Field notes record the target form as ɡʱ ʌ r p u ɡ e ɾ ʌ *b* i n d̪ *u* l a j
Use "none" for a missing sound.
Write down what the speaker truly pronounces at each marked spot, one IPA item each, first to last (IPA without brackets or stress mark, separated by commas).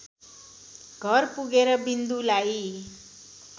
b, u